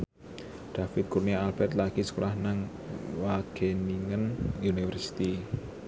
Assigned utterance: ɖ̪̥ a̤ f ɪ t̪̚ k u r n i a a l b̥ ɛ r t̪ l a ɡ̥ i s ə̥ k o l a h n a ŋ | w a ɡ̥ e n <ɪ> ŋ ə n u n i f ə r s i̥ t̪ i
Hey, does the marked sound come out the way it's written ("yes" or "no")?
no